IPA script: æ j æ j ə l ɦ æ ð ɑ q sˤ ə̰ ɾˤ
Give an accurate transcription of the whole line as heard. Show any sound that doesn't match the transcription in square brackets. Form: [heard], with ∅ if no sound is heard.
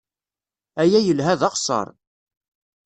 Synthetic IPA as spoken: æ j æ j ə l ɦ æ ð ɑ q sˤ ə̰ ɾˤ